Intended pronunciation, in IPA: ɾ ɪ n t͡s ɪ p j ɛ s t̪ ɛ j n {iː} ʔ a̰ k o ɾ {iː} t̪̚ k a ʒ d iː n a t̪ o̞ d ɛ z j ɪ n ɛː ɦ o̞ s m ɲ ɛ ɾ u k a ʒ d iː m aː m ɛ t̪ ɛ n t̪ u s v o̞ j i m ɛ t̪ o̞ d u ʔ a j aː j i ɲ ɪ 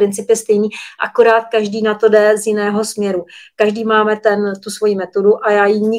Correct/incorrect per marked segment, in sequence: correct, incorrect: aː

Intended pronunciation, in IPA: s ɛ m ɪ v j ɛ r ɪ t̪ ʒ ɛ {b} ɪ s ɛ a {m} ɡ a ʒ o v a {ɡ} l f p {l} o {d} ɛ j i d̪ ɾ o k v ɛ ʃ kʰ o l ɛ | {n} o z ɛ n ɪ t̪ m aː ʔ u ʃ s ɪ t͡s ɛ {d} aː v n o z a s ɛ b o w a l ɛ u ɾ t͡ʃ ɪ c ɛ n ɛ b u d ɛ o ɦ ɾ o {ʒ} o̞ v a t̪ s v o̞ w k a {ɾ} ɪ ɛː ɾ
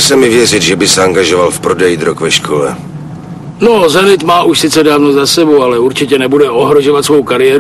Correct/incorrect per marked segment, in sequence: correct, incorrect: ŋ, incorrect: none, incorrect: ɾ, correct, correct, correct, correct, correct

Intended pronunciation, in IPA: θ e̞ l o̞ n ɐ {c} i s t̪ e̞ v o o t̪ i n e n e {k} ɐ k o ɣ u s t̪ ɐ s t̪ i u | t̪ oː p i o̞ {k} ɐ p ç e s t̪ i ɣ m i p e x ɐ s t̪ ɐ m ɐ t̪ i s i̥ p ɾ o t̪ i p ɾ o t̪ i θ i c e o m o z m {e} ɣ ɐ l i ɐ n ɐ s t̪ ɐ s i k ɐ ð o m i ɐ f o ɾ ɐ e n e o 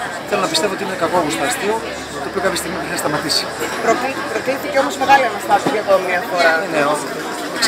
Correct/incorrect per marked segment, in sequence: incorrect: p, correct, correct, correct

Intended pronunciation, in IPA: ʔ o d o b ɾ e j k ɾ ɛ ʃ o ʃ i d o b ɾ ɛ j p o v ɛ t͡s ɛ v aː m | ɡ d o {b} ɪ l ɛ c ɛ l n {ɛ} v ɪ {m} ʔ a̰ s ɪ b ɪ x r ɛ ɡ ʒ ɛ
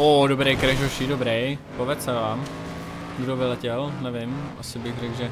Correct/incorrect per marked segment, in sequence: incorrect: v, correct, correct

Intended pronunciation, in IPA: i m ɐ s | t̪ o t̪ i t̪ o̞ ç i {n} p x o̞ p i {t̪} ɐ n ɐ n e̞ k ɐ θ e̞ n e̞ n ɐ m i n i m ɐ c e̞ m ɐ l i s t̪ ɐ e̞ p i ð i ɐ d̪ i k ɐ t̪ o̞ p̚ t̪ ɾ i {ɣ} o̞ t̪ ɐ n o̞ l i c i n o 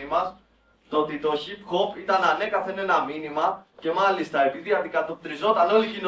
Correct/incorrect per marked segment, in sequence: incorrect: none, correct, incorrect: z

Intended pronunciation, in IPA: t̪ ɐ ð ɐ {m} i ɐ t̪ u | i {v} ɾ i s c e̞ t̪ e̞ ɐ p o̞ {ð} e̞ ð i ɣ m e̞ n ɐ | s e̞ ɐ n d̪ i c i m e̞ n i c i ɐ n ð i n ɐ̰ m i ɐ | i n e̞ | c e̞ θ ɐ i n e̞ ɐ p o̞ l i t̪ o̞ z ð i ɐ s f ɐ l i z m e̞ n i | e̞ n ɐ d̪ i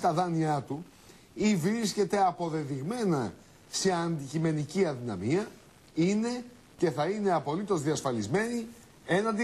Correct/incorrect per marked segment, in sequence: incorrect: n, correct, correct

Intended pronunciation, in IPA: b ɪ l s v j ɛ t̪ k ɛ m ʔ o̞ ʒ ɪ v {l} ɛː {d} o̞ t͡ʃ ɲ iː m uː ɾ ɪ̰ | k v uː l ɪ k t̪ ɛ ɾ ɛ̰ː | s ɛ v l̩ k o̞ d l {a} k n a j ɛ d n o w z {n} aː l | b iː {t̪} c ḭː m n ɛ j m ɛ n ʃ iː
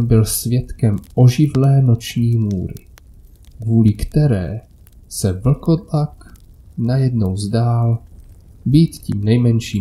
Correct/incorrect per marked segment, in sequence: correct, incorrect: n, correct, incorrect: d, correct

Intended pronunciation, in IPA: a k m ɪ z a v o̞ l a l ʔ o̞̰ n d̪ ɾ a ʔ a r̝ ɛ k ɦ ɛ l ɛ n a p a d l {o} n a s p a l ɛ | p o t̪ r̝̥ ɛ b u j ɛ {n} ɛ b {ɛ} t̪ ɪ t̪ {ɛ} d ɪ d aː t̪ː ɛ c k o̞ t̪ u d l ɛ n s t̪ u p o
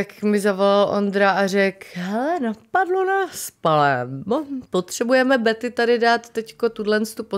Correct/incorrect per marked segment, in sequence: correct, incorrect: m, correct, incorrect: a

